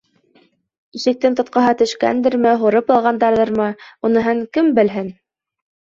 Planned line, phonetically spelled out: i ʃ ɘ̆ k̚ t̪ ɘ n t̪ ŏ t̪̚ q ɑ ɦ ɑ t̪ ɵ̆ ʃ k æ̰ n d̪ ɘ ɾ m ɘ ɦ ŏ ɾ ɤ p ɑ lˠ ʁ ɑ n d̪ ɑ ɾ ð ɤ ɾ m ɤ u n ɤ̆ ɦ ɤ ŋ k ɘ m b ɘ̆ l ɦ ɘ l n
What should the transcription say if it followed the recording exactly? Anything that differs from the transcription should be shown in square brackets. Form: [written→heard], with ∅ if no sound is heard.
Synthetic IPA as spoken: i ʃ ɘ̆ k̚ t̪ ɘ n t̪ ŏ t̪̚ q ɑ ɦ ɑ t̪ ɵ̆ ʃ k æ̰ n d̪ ɘ ɾ m ɘ ɦ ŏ ɾ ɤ p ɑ lˠ ʁ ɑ n d̪ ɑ ɾ ð ɤ ɾ m ɤ u n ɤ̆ ɦ ɤ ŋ k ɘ m b ɘ̆ l ɦ ɘ [l→∅] n